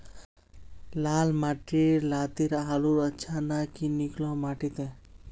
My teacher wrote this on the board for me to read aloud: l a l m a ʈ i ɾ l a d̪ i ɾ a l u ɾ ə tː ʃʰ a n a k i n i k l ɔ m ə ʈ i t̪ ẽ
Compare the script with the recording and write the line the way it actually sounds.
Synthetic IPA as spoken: l a l m a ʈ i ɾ l a t̪ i ɾ a l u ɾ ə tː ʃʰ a n a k i n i k l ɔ m a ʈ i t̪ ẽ